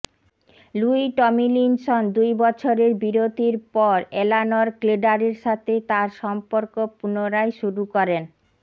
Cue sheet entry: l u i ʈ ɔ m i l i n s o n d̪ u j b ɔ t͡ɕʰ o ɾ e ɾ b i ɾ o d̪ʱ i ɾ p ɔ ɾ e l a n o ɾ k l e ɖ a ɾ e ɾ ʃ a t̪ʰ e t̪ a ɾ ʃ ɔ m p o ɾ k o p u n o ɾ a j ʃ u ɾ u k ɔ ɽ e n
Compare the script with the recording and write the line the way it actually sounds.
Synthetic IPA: l u i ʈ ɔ m i l i n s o n d̪ u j b ɔ t͡ɕʰ o ɾ e ɾ b i ɾ o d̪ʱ i ɾ p ɔ ɾ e l a n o ɾ k l e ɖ a ɾ e ɾ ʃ a t̪ʰ e t̪ a ɾ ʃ ɔ m p o ɾ k o p u n o ɾ a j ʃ u ɾ u k ɔ ɾ e n